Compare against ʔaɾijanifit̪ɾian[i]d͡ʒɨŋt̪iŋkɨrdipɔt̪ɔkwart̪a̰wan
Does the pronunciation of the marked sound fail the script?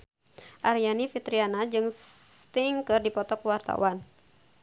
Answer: yes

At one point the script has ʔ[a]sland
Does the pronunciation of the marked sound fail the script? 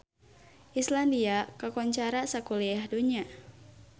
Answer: yes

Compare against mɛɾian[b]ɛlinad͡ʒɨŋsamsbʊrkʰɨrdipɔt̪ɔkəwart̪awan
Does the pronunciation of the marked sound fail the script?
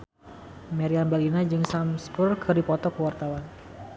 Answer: no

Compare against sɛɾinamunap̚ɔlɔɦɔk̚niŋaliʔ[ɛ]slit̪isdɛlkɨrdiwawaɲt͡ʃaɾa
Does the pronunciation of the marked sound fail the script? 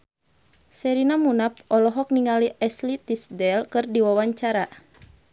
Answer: no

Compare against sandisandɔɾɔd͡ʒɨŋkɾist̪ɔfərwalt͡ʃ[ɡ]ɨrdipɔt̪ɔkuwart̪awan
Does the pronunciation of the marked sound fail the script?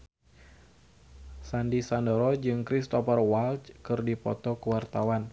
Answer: yes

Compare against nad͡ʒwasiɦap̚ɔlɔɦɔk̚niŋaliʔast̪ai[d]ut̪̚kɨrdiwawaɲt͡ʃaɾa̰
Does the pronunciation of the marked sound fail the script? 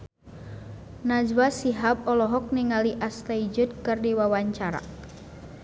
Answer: yes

